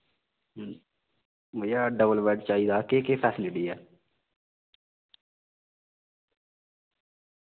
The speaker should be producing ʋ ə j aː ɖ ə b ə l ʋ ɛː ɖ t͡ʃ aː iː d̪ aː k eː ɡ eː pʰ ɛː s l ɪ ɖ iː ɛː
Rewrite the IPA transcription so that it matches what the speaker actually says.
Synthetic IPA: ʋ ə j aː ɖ ə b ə l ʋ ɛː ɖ t͡ʃ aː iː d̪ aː k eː k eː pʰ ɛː s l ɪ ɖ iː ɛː